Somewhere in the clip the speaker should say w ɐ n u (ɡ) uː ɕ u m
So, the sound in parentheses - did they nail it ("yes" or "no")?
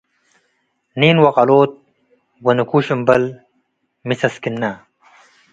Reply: no